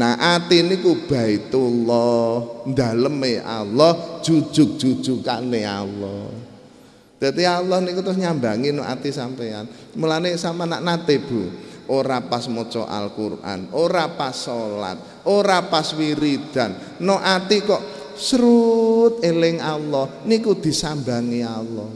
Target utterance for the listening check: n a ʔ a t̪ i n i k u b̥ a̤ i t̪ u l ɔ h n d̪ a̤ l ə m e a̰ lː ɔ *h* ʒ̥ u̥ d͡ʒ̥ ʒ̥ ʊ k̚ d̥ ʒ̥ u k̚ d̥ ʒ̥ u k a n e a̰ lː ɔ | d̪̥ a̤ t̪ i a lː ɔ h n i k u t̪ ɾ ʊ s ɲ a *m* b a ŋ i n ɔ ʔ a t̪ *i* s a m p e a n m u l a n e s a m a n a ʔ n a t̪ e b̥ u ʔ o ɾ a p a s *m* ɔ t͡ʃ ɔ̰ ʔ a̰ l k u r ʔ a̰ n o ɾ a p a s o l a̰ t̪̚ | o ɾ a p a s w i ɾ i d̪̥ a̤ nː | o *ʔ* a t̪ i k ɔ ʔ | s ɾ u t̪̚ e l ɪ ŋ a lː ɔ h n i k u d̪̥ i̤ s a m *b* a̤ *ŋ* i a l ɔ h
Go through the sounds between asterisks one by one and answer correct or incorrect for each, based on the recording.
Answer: correct, correct, correct, correct, correct, correct, correct

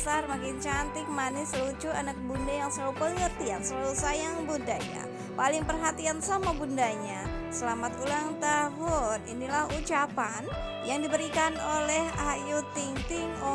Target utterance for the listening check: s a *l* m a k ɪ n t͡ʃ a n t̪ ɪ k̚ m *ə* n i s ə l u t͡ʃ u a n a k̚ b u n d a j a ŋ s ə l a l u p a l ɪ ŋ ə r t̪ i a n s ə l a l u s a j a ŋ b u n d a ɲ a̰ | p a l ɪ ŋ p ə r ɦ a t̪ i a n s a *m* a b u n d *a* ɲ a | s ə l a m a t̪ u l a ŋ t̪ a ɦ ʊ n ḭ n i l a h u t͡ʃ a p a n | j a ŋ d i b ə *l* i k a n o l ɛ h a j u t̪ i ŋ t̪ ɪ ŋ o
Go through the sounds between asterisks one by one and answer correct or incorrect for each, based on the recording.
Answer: incorrect: r, incorrect: a, correct, correct, incorrect: ɾ

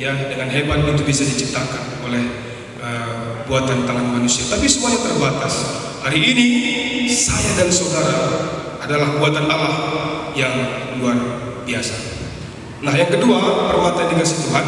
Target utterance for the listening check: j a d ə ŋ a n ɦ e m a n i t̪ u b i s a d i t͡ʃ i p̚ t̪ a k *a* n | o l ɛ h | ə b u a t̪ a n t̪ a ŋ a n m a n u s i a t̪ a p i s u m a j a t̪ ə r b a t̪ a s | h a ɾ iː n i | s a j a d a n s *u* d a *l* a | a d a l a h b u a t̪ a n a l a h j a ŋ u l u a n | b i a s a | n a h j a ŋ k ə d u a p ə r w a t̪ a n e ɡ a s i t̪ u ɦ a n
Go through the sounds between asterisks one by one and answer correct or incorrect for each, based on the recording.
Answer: correct, incorrect: o, incorrect: ɾ

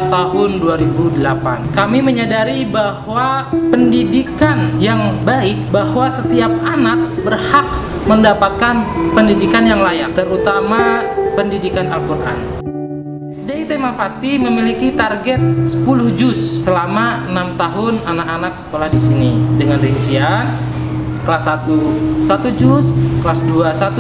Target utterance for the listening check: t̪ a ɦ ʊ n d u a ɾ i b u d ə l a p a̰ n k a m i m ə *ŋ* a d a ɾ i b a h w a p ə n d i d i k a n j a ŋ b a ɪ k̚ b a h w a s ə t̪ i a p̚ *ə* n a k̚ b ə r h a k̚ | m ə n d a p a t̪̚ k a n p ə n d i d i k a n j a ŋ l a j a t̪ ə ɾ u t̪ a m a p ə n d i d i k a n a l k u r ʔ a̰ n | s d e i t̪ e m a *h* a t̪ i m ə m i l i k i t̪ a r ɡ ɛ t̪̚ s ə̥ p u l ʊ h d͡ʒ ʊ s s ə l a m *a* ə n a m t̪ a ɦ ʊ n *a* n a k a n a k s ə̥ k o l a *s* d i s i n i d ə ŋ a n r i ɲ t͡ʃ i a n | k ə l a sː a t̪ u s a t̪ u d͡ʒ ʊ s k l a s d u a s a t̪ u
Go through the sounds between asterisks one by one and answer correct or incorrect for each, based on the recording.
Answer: incorrect: ɲ, incorrect: a, incorrect: f, correct, correct, incorrect: h

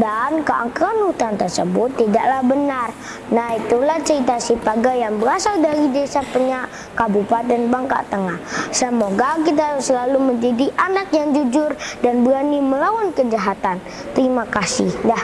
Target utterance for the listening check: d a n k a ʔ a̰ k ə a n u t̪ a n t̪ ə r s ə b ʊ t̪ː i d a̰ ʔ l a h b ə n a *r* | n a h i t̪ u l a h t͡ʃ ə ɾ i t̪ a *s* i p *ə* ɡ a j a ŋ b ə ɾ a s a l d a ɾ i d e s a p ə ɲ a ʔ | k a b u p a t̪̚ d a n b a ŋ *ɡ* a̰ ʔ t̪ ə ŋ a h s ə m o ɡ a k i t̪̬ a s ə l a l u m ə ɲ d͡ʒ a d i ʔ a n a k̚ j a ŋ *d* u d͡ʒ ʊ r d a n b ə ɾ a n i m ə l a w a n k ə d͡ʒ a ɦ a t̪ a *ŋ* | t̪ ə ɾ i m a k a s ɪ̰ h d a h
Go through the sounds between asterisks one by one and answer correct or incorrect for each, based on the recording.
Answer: correct, correct, incorrect: a, incorrect: k, incorrect: d͡ʒ, incorrect: n

